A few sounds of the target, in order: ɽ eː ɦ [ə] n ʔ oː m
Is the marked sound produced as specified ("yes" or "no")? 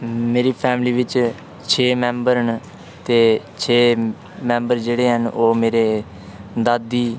yes